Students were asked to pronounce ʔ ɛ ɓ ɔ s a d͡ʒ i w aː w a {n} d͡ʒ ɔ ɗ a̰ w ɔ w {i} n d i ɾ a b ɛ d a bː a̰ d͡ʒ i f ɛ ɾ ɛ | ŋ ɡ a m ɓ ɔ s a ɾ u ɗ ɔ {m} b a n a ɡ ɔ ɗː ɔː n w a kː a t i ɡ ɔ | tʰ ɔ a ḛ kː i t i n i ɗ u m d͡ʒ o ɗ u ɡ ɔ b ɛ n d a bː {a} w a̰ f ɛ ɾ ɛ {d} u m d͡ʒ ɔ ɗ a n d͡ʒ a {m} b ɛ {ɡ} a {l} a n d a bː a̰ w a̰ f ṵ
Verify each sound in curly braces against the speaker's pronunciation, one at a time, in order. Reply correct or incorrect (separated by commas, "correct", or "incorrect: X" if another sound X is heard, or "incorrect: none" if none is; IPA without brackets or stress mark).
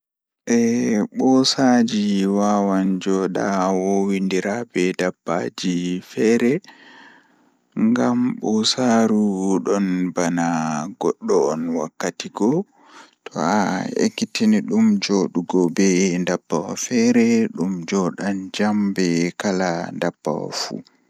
correct, correct, incorrect: n, correct, incorrect: ɗ, correct, incorrect: k, correct